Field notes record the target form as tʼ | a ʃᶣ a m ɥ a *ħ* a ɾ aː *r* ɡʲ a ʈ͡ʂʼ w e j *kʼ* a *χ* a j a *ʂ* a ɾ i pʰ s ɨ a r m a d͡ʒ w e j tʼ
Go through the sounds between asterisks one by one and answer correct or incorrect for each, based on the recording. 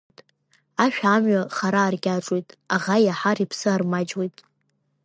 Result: incorrect: χ, correct, incorrect: tʼ, incorrect: ʁ, incorrect: ħ

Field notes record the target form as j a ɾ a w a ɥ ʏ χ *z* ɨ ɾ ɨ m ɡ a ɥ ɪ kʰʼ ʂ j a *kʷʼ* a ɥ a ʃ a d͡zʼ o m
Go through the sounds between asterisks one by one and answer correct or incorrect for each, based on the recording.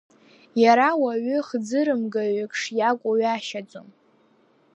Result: incorrect: d͡z, correct

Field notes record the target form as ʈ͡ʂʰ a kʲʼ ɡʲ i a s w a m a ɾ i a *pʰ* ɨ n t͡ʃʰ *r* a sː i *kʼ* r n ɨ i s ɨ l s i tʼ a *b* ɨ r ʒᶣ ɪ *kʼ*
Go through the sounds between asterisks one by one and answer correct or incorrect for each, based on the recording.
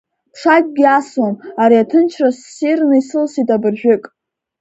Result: incorrect: tʰ, correct, incorrect: none, correct, correct

